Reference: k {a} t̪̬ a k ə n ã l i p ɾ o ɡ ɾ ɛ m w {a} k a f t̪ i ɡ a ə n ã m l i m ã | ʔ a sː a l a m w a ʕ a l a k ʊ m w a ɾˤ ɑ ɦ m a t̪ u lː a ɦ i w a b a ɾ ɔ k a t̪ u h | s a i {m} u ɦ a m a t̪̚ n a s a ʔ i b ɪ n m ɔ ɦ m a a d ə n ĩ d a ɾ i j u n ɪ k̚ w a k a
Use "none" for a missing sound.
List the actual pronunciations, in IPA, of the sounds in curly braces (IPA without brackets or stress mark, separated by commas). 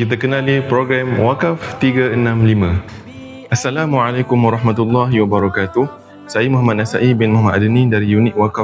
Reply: i, a, m